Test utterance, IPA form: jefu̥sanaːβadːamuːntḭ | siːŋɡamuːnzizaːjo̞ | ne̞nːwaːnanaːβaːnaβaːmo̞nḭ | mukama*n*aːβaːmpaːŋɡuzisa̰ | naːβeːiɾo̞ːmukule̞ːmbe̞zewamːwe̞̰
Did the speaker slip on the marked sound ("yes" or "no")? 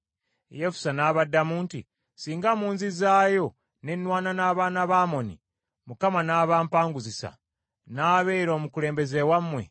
no